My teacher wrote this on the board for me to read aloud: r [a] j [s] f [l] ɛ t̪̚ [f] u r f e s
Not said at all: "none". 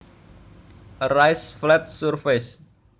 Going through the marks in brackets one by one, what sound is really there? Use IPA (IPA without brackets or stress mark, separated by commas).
a, s, l, s